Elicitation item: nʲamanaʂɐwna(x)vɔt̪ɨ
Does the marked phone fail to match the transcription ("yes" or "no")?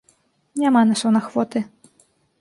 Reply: no